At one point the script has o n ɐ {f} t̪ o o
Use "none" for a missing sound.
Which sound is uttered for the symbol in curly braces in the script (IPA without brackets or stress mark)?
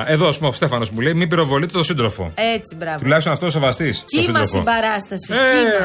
f